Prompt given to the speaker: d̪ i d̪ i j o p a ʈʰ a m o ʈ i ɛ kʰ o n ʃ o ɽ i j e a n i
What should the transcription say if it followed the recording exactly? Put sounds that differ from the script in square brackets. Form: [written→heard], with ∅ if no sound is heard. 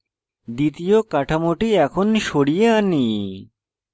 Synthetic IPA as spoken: d̪ i [d̪→t̪] i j o [p→k] a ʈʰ a m o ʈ i ɛ kʰ o n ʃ o ɽ i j e a n i